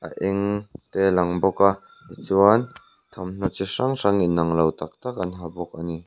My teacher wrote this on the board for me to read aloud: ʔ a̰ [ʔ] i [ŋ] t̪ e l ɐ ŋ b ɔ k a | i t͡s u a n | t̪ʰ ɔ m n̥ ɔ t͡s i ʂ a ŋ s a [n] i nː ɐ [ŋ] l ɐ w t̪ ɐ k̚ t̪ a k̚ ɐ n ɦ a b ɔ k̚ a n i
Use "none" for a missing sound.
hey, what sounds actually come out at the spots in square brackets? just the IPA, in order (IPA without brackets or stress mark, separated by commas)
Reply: ʔ, ŋ, ŋ, ŋ